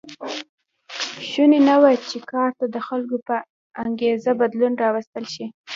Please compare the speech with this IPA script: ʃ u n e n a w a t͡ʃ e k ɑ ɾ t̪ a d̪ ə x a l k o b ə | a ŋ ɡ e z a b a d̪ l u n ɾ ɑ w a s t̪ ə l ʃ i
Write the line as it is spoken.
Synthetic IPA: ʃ u n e n a w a t͡ʃ e k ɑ ɾ t̪ a d̪ ə x a l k o p ə | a ŋ ɡ e z a b a d̪ l u n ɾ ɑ w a s t̪ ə l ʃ i